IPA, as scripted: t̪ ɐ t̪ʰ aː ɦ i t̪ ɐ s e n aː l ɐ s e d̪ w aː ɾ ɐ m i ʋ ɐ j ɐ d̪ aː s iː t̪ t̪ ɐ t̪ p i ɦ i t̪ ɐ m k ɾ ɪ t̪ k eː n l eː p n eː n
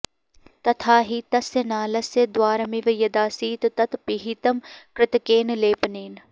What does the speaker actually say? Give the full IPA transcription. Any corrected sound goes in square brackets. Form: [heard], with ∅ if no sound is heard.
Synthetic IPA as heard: t̪ ɐ t̪ʰ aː ɦ i t̪ ɐ s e n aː l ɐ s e d̪ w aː ɾ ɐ m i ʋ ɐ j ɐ d̪ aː s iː t̪ t̪ ɐ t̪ p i ɦ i t̪ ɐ m k ɾ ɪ t̪ k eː n l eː p n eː n